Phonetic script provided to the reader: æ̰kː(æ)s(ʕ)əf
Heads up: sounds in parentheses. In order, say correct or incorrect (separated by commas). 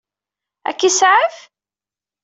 incorrect, correct